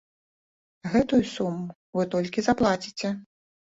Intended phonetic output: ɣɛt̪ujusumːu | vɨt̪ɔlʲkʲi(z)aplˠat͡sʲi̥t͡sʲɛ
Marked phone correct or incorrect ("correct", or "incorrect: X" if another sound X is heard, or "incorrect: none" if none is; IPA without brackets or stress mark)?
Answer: correct